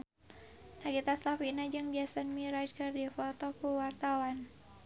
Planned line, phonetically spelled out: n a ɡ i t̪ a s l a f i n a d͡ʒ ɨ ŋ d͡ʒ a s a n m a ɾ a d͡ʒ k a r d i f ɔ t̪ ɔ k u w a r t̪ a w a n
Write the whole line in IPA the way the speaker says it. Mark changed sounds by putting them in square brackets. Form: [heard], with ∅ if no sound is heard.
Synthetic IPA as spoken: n a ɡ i t̪ a s l a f i n a d͡ʒ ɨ ŋ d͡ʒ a s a n m [i] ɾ a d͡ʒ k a r d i f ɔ t̪ ɔ k u w a r t̪ a w a n